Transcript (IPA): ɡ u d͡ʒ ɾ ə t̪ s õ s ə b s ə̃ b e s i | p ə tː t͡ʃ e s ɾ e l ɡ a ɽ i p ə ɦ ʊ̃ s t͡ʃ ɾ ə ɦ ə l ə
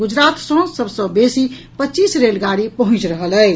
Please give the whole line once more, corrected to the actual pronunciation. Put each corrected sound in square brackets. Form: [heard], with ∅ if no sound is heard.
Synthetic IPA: ɡ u d͡ʒ ɾ [a] t̪ s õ s ə b s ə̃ b e s i | p ə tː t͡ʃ [i] s ɾ e l ɡ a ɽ i p ə ɦ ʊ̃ [∅] t͡ʃ ɾ ə ɦ ə l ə